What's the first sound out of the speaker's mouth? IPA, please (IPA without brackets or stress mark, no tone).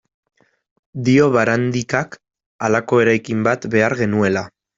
d̪